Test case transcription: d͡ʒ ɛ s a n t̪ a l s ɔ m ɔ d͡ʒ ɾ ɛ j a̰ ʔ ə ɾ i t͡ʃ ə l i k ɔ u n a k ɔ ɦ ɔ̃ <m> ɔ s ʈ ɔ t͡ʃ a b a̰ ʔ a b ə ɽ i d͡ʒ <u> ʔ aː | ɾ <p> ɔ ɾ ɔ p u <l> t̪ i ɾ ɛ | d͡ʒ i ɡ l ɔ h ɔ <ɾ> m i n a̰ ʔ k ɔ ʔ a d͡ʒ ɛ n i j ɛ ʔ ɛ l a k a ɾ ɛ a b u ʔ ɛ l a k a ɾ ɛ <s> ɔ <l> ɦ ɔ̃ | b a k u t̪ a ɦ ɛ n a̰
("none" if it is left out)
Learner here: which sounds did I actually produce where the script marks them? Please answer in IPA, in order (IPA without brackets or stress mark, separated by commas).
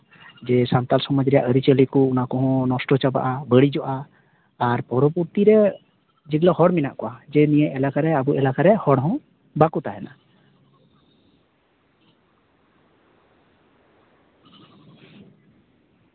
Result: n, ɔ, p, ɾ, ɽ, h, ɽ